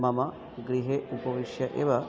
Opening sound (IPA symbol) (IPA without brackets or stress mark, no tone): m